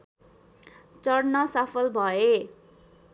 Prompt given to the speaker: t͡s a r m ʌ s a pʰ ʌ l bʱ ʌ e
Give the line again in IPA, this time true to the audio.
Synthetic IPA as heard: t͡s ʌ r n ʌ s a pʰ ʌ l bʱ ʌ e